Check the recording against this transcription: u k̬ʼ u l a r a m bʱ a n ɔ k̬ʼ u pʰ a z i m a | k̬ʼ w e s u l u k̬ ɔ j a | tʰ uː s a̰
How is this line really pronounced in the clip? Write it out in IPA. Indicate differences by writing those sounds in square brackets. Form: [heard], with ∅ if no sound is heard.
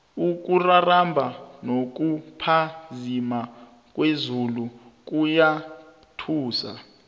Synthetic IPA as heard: u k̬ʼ u [r] a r a m bʱ a n [o] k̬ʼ u pʰ a z i m a | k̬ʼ w e [z] u l u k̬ [u] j a | tʰ uː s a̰

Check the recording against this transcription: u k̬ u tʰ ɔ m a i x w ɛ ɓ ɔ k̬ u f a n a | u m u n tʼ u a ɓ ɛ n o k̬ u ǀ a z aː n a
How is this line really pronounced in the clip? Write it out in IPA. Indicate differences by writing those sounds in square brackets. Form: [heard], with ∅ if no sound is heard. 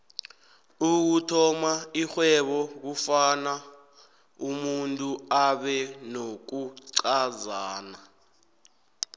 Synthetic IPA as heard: u k̬ u tʰ ɔ m a i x w ɛ ɓ ɔ k̬ u f a n a | u m u n tʼ u a ɓ ɛ n o k̬ u ǀ a z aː n a

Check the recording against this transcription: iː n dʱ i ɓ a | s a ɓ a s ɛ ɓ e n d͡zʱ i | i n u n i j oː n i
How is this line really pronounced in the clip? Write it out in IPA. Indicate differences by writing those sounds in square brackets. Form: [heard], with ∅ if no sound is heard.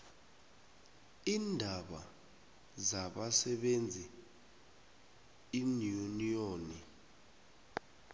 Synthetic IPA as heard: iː n dʱ [a] ɓ a | [z] a ɓ a s ɛ ɓ e n d͡zʱ i | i n u n i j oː n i

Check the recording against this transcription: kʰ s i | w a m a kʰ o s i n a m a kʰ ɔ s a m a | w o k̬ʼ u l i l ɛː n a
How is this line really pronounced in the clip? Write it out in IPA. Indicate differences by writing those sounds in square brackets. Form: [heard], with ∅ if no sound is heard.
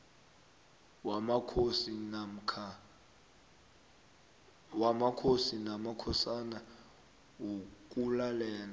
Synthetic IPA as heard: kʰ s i | w a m a kʰ o s i n a m a kʰ ɔ s a [n] a | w o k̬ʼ u l [a] l ɛː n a

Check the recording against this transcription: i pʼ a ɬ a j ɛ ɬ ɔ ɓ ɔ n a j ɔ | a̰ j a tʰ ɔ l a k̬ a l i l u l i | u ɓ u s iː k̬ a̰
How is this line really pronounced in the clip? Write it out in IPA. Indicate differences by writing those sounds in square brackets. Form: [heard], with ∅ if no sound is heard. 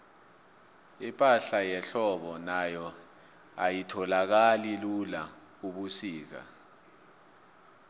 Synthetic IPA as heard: i pʼ a ɬ a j ɛ ɬ ɔ ɓ ɔ n a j ɔ | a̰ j [i] tʰ ɔ l a k̬ a l i l u l [a] | u ɓ u s iː k̬ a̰

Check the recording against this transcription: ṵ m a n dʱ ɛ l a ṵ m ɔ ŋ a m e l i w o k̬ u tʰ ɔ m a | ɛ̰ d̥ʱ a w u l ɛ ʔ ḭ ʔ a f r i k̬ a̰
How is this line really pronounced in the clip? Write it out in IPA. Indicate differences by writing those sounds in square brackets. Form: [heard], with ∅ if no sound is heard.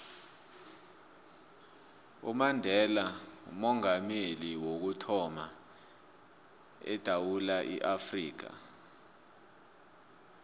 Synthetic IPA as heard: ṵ m a n dʱ ɛ l a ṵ m ɔ ŋ a m e l i w o k̬ u tʰ ɔ m a | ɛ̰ d̥ʱ a w u l [a] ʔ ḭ ʔ a f r [iː] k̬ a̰

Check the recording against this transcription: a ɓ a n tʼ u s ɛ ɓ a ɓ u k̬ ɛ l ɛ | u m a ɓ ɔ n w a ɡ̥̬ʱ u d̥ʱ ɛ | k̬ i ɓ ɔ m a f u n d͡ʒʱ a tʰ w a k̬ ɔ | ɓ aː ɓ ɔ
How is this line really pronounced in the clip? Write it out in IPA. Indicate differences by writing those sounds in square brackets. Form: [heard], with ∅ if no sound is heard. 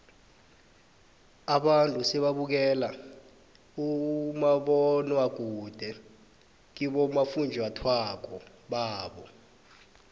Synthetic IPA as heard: a ɓ a n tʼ u s ɛ ɓ a ɓ u k̬ ɛ l [a] | u m a ɓ ɔ n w a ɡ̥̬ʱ u d̥ʱ ɛ | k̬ i ɓ ɔ m a f u n d͡ʒʱ a tʰ w a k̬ ɔ | ɓ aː ɓ ɔ

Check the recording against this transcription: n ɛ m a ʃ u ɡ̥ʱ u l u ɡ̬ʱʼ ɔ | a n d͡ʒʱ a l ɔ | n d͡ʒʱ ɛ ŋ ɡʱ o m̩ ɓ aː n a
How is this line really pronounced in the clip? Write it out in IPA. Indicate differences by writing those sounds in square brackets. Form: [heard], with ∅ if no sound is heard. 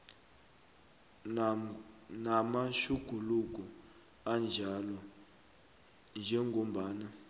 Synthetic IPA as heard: n [a] m a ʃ u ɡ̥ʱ u l u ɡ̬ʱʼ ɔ | a n d͡ʒʱ a l ɔ | n d͡ʒʱ ɛ ŋ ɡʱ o m̩ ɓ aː n a

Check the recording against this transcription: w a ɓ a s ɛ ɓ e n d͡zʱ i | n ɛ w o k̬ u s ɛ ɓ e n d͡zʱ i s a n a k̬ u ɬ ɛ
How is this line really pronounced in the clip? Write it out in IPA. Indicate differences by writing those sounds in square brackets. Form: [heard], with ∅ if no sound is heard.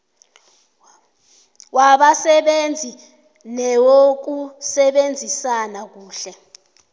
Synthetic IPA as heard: w a ɓ a s ɛ ɓ e n d͡zʱ i | n ɛ w o k̬ u s ɛ ɓ e n d͡zʱ i s a n a k̬ [uː] ɬ ɛ

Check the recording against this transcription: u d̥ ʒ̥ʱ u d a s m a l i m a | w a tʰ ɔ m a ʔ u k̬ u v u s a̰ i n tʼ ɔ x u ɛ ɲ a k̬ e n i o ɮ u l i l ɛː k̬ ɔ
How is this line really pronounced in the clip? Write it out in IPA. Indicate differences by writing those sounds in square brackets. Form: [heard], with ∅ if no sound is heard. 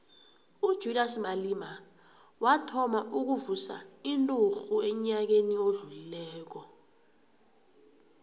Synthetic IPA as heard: u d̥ ʒ̥ʱ u d a s m a l i m a | w a tʰ ɔ m a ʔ u k̬ u v u s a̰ i n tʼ [u] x u ɛ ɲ a k̬ e n i o ɮ u l i l ɛː k̬ ɔ

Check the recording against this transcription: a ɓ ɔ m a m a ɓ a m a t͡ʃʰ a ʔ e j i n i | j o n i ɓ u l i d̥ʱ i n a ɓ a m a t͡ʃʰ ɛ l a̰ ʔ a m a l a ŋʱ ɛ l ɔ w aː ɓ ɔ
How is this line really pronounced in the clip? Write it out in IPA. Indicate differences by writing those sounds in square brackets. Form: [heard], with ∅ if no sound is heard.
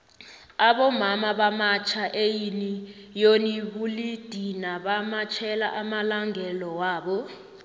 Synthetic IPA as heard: a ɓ ɔ m a m a ɓ a m a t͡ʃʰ a ʔ e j i n i | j o n i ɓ u l i d̥ʱ i n a ɓ a m a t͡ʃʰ ɛ l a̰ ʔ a m a l a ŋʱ ɛ l ɔ w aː ɓ ɔ

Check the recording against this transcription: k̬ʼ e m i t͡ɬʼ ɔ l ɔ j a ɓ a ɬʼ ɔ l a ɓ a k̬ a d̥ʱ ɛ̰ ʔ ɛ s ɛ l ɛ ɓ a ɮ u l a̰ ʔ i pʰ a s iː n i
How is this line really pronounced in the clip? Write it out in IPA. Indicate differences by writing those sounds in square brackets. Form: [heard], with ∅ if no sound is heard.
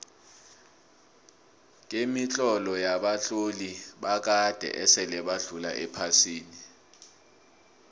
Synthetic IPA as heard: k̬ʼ e m i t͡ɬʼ ɔ l ɔ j a ɓ a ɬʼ [o] l [i] ɓ a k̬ a d̥ʱ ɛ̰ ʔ ɛ s ɛ l ɛ ɓ a ɮ u l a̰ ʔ [ɛ] pʰ a s iː n i

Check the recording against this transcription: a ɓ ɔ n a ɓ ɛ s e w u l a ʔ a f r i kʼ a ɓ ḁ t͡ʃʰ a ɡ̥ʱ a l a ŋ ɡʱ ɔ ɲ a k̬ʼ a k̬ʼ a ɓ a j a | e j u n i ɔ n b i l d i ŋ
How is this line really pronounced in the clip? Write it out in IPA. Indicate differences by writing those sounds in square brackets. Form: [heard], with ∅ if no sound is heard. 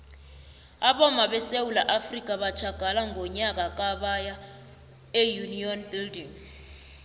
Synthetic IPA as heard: a ɓ ɔ [m] a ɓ ɛ s e w u l a ʔ a f r i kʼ a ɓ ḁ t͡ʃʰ a ɡ̥ʱ a l a ŋ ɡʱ ɔ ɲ a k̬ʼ a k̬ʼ a ɓ a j a | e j u n i ɔ n b i l d i ŋ

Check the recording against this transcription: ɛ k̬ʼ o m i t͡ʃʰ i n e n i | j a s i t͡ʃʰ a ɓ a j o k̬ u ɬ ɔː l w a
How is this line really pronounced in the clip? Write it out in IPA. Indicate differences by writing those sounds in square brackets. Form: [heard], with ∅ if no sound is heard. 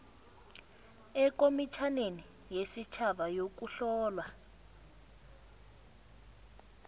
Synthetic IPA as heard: ɛ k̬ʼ o m i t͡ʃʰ [a] n e n i | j [e] s i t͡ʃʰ a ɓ a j o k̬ u ɬ ɔː l w a

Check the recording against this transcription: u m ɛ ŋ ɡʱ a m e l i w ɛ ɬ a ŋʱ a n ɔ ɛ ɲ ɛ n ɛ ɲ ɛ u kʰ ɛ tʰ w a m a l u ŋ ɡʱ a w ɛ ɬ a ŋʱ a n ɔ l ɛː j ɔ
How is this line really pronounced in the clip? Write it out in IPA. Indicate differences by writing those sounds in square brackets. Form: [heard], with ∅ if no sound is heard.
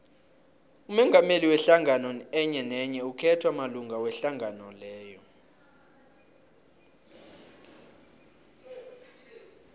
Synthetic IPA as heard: u m ɛ ŋ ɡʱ a m e l i w ɛ ɬ a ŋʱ a n ɔ ɛ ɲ ɛ n ɛ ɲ ɛ u kʰ ɛ tʰ w a m a l u ŋ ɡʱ a w ɛ ɬ a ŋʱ a n ɔ l ɛː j ɔ

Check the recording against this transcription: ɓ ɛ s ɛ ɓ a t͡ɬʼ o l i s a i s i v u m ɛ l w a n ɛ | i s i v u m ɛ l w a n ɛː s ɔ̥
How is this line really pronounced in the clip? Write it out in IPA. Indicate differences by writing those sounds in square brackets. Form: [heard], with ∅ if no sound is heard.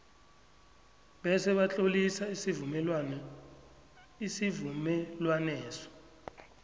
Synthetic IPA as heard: ɓ ɛ s ɛ ɓ a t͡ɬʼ o l i s a i s i v u m ɛ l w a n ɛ | i s i v u m ɛ l w a n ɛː s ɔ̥

